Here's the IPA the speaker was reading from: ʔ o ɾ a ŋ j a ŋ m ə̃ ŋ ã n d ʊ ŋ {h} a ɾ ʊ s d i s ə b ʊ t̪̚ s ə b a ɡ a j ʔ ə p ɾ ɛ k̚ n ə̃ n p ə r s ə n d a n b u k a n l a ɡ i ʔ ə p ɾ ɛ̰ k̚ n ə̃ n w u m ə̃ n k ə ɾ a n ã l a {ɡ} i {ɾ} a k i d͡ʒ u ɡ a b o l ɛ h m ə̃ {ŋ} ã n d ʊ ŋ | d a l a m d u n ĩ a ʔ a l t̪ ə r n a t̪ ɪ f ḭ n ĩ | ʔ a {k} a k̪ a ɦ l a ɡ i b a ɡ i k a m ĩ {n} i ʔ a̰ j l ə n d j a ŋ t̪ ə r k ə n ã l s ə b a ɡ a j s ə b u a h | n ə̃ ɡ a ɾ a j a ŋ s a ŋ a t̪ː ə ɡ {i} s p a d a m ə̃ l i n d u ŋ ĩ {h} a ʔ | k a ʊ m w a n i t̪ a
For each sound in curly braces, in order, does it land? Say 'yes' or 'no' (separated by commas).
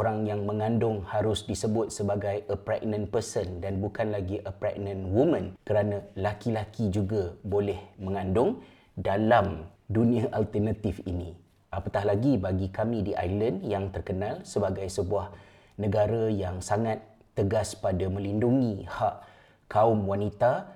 yes, no, no, yes, no, no, no, yes